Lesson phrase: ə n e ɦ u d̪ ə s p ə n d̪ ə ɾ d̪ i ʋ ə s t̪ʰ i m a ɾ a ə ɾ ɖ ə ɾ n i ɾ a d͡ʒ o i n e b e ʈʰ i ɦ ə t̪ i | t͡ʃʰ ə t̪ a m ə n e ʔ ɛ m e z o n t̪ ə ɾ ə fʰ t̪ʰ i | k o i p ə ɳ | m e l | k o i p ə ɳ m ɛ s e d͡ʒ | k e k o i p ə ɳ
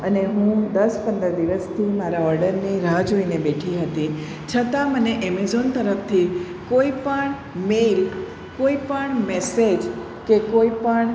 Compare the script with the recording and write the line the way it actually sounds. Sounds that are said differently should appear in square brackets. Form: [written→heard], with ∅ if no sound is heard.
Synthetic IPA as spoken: ə n e ɦ [u→ũ] d̪ ə s p ə n d̪ ə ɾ d̪ i ʋ ə s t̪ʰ i m a ɾ a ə ɾ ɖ ə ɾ n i ɾ a d͡ʒ o i n e b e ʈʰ i ɦ ə t̪ i | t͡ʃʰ ə t̪ a m ə n e ʔ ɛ m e z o n t̪ ə ɾ ə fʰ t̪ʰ i | k o i p ə ɳ | m e l | k o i p ə ɳ m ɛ s e d͡ʒ | k e k o i p ə ɳ